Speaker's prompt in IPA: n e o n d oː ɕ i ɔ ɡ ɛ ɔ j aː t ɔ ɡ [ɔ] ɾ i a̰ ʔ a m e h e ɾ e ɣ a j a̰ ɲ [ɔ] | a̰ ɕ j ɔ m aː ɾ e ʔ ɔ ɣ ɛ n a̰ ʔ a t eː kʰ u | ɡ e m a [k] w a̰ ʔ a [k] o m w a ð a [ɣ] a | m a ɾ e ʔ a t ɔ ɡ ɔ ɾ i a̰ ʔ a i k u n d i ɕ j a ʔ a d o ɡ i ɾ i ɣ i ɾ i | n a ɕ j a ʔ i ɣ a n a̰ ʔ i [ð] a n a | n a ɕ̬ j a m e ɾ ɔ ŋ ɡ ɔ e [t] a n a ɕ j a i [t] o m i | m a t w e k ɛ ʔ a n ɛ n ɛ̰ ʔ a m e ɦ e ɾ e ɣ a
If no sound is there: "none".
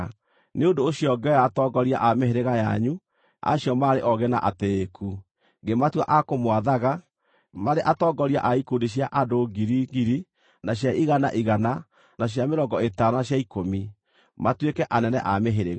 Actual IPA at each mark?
ɔ, u, t, k, ɣ, ɣ, t, k

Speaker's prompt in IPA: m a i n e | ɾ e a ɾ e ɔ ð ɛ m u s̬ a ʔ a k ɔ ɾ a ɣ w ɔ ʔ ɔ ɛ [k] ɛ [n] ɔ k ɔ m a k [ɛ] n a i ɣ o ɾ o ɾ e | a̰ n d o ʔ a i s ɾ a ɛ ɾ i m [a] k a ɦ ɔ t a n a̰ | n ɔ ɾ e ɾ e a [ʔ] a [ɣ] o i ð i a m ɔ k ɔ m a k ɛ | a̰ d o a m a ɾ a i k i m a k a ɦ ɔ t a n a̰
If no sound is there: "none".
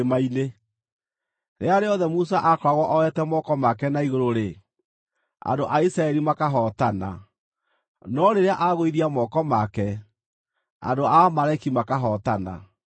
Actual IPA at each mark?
t, m, ɛ, a, ʔ, ɣ

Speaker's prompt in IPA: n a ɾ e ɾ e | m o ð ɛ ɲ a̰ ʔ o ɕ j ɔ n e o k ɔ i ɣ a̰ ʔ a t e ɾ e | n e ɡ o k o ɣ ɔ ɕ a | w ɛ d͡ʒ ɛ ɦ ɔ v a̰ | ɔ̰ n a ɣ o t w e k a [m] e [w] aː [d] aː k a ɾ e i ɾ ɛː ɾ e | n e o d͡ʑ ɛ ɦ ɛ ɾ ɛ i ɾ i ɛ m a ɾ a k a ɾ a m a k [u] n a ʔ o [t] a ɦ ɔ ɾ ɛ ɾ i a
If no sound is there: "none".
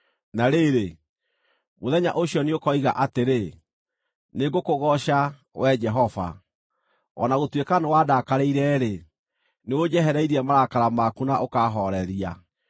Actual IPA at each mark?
n, w, d, u, k

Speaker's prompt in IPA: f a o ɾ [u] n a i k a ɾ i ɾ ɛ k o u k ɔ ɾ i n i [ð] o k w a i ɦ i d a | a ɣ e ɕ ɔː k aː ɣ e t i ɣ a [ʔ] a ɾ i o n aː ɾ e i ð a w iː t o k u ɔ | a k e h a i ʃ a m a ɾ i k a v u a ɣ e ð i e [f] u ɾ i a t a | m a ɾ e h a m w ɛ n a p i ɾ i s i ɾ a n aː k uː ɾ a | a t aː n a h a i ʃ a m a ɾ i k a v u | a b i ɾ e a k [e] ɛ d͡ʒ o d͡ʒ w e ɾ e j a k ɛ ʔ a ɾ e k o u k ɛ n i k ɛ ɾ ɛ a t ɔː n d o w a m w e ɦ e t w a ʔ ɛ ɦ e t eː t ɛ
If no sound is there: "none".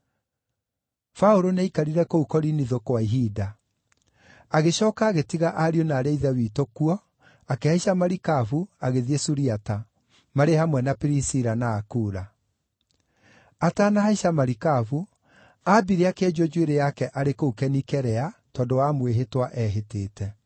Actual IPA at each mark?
o, ð, ʔ, s, e

